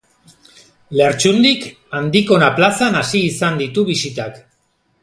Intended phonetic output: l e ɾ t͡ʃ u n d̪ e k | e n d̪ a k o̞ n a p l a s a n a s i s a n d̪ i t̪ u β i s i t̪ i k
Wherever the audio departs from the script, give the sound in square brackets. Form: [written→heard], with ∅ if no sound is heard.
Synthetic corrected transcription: l e ɾ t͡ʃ u n d̪ [e→i] k | [e→a] n d̪ [a→i] k o̞ n a p l a s a n a s [i→iː] s a n d̪ i t̪ u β i s i t̪ [i→a] k